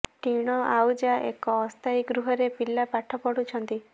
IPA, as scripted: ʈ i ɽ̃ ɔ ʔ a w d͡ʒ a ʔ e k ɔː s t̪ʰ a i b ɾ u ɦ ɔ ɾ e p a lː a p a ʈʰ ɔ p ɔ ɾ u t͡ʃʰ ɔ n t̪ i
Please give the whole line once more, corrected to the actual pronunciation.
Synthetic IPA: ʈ i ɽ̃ ɔ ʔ a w d͡ʒ a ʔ e k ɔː s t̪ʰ a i ɡ ɾ u ɦ ɔ ɾ e p i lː a p a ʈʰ ɔ p ɔ ɽ u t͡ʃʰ ɔ n t̪ i